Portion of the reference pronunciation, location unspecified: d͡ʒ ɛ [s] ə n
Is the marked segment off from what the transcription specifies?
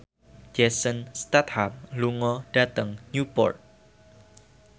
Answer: no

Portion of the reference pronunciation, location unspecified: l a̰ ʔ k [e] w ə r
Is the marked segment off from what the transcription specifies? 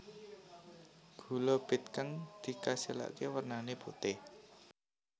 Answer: no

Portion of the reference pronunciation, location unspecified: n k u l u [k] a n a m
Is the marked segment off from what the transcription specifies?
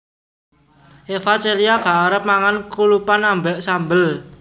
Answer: yes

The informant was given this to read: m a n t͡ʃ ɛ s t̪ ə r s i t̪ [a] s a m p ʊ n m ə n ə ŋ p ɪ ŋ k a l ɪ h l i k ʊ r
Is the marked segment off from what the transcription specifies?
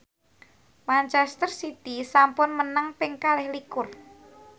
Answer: yes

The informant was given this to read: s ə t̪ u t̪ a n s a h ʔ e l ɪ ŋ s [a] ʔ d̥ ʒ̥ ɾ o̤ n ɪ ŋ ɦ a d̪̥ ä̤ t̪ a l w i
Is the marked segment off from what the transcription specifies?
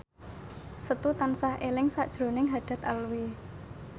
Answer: no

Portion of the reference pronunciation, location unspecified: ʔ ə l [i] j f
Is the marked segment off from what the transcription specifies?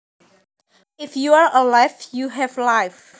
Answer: yes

